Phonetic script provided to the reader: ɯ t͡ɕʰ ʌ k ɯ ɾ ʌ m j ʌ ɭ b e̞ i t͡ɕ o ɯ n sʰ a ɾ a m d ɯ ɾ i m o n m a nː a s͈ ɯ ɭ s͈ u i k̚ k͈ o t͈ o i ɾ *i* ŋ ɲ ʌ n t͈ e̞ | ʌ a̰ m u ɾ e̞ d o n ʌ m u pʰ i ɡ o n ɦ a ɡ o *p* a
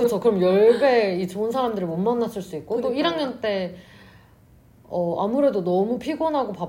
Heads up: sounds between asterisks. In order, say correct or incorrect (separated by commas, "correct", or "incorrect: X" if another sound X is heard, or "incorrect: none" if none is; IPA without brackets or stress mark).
incorrect: a, correct